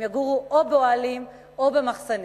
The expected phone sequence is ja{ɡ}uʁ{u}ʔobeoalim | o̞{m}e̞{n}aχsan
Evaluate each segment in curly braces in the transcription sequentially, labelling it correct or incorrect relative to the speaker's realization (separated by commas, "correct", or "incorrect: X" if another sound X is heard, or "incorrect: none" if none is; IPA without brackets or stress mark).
correct, correct, incorrect: b, incorrect: m